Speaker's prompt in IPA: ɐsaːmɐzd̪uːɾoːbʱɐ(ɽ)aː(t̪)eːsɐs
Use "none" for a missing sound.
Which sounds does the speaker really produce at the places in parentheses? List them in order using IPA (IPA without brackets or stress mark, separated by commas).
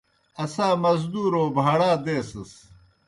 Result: ɽ, d̪